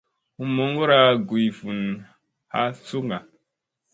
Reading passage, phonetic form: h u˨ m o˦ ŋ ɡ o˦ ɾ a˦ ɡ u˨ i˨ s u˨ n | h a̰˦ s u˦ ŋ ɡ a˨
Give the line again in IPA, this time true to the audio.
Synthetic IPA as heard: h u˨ m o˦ ŋ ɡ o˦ ɾ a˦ ɡ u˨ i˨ f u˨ n | h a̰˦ s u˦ ŋ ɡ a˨